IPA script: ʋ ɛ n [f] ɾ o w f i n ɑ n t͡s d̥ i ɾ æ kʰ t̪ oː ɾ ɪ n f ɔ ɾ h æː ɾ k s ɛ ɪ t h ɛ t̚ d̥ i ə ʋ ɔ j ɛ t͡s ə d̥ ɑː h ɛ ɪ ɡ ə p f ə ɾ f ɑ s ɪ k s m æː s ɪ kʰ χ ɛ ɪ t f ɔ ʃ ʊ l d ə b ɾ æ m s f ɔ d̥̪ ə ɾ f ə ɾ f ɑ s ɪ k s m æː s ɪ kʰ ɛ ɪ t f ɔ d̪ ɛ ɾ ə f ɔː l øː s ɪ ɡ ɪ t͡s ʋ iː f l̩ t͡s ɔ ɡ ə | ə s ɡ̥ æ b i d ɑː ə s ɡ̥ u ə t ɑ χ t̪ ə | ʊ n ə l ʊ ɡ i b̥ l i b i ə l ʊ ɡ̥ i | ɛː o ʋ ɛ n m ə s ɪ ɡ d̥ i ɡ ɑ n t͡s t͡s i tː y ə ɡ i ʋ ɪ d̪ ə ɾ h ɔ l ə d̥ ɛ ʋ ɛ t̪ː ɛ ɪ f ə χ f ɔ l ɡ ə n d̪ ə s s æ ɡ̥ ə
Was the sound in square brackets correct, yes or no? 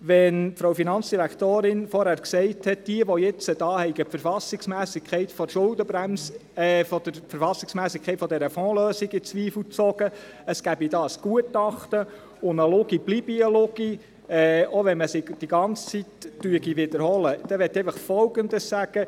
yes